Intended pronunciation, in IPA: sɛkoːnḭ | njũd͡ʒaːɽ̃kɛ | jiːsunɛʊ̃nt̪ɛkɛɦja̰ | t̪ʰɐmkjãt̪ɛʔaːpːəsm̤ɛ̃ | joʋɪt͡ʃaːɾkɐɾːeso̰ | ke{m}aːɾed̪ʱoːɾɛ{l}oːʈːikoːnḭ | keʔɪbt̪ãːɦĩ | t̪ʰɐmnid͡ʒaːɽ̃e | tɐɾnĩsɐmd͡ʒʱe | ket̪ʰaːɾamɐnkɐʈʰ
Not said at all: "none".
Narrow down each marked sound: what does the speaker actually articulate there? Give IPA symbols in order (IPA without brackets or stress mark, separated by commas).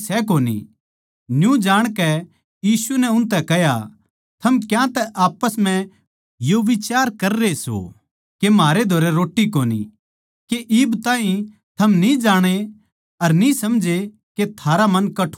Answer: m, ɾ